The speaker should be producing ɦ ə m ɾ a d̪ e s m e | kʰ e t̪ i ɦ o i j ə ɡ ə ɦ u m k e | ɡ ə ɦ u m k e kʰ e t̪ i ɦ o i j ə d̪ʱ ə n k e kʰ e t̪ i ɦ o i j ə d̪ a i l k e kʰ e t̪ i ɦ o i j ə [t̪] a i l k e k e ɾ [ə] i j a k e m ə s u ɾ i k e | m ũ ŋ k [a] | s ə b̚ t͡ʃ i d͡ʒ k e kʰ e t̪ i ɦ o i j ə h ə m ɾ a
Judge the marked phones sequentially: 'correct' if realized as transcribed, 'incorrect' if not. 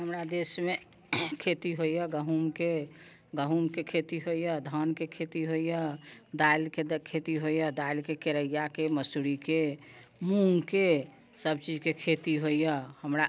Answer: incorrect: d̪, correct, incorrect: e

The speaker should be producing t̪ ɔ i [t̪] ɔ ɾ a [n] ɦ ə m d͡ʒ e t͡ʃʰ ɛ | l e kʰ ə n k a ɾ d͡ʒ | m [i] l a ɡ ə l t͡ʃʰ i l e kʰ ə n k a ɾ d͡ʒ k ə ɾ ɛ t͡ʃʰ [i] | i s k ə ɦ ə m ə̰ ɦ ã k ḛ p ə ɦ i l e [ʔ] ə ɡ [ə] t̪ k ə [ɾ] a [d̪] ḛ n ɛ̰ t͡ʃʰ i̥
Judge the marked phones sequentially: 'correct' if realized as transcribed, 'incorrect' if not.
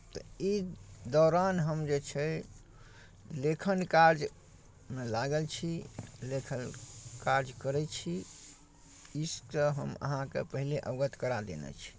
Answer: incorrect: d̪, correct, incorrect: e, correct, correct, correct, correct, correct

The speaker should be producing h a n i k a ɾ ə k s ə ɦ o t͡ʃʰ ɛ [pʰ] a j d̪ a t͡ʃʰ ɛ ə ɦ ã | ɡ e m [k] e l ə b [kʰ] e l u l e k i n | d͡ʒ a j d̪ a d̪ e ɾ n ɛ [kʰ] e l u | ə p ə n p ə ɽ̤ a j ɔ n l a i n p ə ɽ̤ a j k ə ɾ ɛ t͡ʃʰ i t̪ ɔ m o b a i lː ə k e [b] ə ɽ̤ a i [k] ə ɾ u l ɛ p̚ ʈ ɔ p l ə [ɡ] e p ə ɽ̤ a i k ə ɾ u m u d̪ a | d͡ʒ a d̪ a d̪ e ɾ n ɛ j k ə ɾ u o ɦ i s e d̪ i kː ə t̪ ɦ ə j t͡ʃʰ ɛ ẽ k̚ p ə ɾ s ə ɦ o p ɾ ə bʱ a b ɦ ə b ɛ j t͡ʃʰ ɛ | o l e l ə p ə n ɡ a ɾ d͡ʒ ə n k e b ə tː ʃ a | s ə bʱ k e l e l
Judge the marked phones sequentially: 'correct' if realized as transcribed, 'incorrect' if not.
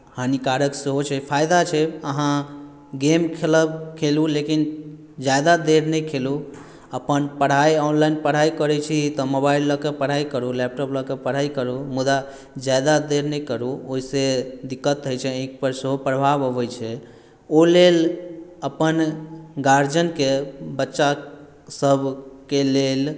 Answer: correct, incorrect: kʰ, correct, correct, incorrect: p, correct, incorrect: k

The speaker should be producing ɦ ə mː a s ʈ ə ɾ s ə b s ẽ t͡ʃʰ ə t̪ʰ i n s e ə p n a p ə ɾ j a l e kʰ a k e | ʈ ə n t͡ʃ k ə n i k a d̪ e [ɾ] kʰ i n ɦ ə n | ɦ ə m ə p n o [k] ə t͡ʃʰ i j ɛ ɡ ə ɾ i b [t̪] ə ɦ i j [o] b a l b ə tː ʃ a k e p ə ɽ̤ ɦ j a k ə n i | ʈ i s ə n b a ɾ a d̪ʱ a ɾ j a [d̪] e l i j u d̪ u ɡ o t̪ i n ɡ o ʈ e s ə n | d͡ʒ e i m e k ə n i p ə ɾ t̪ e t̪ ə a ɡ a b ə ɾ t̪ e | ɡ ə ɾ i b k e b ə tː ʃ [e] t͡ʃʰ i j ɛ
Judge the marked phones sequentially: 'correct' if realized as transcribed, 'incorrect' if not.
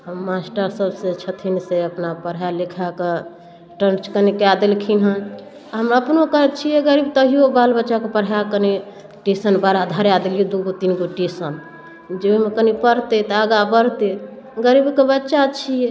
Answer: incorrect: l, correct, correct, correct, correct, incorrect: a

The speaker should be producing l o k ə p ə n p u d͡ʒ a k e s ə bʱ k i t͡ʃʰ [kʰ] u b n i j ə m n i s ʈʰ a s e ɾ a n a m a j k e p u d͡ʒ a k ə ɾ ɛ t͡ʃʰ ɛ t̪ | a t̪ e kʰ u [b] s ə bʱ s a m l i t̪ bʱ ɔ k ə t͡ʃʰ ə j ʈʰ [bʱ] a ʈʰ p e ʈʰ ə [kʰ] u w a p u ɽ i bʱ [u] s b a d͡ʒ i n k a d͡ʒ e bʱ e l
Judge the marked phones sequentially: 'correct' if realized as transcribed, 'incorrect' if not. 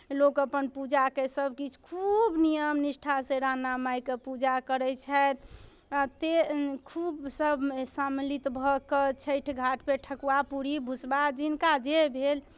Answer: correct, correct, incorrect: ɡʱ, incorrect: k, correct

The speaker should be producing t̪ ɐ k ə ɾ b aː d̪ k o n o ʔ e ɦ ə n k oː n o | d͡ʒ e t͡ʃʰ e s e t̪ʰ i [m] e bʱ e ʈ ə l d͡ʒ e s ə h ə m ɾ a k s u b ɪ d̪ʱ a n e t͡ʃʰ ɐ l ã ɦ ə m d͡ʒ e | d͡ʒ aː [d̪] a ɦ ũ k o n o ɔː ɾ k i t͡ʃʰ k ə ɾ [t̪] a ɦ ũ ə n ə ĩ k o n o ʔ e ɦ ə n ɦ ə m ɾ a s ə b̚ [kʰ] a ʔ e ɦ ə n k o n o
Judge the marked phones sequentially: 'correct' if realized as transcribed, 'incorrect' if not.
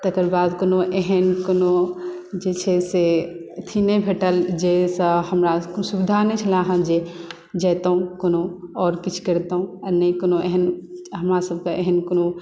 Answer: incorrect: n, incorrect: t̪, correct, incorrect: k

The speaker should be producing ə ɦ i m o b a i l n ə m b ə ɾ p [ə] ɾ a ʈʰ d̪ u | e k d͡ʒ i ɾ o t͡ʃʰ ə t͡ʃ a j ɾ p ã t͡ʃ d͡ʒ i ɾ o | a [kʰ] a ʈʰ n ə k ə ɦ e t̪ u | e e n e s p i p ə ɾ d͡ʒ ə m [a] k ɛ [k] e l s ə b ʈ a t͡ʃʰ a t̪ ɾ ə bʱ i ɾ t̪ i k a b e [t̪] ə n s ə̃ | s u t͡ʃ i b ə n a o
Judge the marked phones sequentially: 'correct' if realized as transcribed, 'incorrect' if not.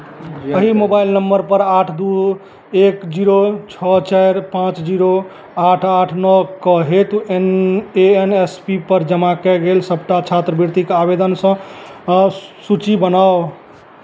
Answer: correct, incorrect: ʈʰ, correct, incorrect: ɡ, incorrect: d̪

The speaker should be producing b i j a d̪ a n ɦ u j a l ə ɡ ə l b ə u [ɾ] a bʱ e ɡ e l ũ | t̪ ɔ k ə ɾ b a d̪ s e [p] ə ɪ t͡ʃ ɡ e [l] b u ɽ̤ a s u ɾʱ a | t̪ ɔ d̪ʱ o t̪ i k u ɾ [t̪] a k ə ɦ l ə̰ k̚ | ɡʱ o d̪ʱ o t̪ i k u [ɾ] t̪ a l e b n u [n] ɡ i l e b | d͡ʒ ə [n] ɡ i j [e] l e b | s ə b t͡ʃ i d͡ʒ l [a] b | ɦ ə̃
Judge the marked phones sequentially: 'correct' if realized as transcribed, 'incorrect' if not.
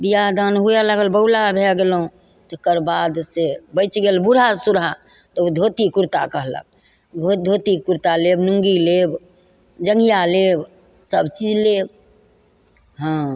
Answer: incorrect: l, incorrect: b, correct, correct, correct, incorrect: ŋ, incorrect: ŋ, incorrect: a, incorrect: e

